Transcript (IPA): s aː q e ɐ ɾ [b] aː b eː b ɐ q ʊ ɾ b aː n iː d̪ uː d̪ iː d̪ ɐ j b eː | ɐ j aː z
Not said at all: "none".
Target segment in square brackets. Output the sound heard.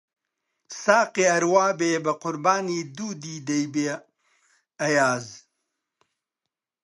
w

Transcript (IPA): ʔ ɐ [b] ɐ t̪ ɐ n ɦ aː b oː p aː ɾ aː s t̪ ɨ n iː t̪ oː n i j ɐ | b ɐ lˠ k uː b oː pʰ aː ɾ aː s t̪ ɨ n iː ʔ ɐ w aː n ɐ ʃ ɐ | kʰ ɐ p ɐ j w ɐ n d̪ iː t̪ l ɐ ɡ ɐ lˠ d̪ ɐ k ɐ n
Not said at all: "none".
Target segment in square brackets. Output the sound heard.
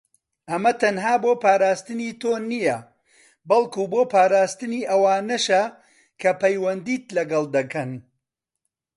m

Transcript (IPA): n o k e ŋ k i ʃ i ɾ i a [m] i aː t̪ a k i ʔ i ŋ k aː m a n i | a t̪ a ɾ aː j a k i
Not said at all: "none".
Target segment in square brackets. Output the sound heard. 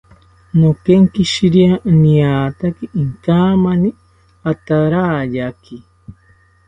n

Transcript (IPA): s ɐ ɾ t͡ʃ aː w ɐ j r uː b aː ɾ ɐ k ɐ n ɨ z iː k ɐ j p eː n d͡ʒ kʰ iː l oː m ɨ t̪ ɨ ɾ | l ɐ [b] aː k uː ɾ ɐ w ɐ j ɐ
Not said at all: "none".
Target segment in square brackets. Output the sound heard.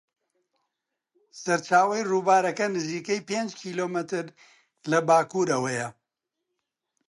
b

